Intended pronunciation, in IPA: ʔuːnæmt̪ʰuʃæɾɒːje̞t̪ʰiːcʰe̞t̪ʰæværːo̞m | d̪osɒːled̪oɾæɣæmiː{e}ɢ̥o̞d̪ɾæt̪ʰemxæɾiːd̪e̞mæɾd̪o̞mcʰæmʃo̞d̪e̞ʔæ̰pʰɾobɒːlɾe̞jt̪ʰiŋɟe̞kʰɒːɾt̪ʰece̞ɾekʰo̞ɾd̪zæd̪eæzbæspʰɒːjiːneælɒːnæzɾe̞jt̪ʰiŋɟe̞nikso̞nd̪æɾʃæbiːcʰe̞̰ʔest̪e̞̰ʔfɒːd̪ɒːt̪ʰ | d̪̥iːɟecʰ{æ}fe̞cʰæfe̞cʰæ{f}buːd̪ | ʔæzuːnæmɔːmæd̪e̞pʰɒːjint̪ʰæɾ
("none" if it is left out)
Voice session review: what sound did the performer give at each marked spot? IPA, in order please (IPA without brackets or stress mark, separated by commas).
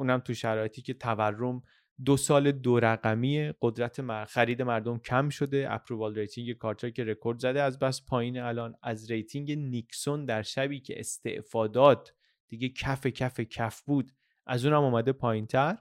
e, æ, f